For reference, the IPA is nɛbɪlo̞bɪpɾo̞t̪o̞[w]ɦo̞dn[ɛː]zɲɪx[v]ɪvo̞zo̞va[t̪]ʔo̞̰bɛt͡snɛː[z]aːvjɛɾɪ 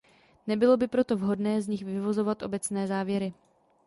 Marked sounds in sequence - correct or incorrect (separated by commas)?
incorrect, correct, correct, correct, correct